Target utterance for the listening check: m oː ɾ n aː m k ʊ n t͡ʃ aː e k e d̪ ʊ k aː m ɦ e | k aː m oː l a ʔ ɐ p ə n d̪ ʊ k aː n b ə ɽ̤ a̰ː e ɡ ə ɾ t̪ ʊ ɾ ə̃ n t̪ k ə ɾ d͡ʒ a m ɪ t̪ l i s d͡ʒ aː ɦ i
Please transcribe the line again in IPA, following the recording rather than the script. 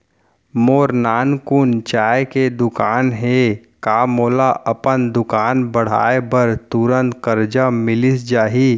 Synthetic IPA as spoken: m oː ɾ n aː n k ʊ n t͡ʃ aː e k e d̪ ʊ k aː n ɦ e | k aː m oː l a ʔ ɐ p ə n d̪ ʊ k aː n b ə ɽ̤ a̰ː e b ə ɾ t̪ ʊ ɾ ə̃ n t̪ k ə ɾ d͡ʒ a m ɪ l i s d͡ʒ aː ɦ i